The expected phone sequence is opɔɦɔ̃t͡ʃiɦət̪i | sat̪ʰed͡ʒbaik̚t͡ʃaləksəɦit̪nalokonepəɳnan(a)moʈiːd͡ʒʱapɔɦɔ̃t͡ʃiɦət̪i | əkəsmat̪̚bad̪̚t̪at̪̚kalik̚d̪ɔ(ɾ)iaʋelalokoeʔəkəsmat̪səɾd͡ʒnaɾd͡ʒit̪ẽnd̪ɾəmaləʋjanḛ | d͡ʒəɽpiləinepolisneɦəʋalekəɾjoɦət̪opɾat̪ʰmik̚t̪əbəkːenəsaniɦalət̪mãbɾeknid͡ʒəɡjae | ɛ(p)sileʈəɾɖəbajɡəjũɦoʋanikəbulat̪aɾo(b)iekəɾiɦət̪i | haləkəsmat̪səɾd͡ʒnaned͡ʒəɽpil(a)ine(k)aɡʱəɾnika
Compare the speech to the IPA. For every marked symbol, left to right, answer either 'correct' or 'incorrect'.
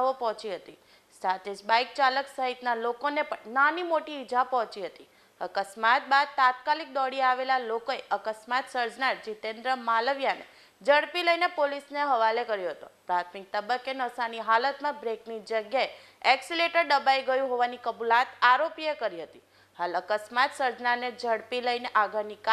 incorrect: i, incorrect: ɽ, incorrect: k, incorrect: p, incorrect: ə, incorrect: ʔ

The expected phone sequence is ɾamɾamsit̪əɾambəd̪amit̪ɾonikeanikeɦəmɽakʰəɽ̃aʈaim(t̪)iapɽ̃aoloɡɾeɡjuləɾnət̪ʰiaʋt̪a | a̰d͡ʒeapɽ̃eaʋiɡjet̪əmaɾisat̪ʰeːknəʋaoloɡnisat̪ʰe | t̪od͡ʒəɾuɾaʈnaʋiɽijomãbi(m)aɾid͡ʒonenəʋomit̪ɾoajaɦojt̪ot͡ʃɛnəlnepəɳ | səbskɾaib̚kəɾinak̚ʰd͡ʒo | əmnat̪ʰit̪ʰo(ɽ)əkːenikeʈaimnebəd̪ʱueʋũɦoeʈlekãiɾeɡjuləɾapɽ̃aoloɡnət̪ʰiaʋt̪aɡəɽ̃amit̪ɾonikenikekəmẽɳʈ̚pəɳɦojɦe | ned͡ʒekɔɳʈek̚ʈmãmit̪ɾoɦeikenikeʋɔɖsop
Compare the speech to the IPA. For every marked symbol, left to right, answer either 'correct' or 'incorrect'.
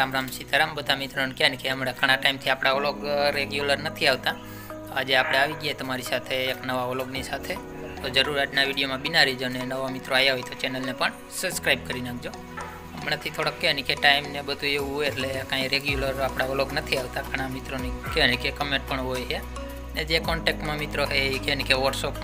incorrect: t̪ʰ, incorrect: n, correct

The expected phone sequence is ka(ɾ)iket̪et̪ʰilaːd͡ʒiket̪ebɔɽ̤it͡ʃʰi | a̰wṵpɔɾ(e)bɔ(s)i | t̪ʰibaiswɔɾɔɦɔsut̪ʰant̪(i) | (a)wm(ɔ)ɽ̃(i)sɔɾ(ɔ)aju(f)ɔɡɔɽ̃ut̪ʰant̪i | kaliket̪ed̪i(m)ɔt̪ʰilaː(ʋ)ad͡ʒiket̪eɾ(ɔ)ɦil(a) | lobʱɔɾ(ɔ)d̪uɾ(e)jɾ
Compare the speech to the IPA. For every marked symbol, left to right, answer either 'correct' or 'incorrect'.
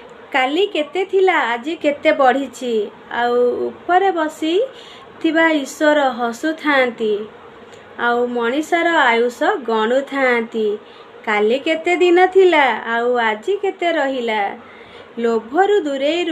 incorrect: l, correct, correct, correct, correct, correct, correct, correct, incorrect: s, incorrect: n, incorrect: w, correct, correct, incorrect: u, correct

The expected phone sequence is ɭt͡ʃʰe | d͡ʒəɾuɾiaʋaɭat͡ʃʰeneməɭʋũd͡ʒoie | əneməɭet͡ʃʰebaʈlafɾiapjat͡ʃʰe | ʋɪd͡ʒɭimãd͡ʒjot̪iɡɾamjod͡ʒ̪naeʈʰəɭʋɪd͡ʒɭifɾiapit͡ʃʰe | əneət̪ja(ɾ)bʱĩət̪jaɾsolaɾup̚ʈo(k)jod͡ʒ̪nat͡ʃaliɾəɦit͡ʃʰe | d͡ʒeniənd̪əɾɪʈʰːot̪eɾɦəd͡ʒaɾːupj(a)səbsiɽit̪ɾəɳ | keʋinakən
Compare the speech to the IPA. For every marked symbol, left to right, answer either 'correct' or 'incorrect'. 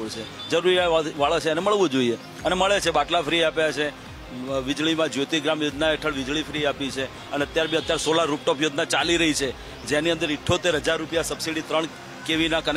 correct, incorrect: p, correct

